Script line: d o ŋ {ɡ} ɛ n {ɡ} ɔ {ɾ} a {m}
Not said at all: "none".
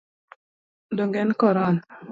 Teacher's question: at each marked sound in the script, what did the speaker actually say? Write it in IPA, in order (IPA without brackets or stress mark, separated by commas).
ɡ, k, ɾ, n